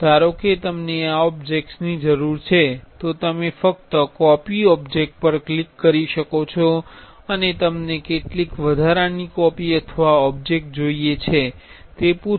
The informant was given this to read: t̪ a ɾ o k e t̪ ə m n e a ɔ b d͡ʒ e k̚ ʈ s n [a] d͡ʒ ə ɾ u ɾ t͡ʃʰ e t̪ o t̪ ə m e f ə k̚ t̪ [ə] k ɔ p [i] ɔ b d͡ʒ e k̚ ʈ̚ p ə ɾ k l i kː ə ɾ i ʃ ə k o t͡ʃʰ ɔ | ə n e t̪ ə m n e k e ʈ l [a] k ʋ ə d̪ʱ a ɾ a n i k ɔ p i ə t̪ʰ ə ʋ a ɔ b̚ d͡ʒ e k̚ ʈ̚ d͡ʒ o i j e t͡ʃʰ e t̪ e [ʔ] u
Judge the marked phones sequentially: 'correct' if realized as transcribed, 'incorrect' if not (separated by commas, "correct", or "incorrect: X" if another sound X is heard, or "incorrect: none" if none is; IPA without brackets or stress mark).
incorrect: i, correct, correct, incorrect: i, incorrect: p